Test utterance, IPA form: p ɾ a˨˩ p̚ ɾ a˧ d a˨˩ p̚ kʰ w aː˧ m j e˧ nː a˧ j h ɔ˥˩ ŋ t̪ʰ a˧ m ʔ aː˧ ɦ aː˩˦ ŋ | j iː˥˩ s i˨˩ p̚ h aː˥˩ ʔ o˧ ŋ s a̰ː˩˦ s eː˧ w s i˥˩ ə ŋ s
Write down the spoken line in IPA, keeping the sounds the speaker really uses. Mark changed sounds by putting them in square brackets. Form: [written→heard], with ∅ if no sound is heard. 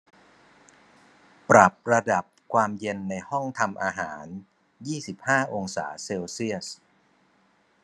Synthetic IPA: p ɾ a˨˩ p̚ ɾ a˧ d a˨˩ p̚ kʰ w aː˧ m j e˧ nː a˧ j h ɔ˥˩ ŋ t̪ʰ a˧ m ʔ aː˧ ɦ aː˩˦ [ŋ→n] | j iː˥˩ s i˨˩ p̚ h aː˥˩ ʔ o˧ ŋ s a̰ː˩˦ s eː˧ w s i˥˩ ə [ŋ→∅] s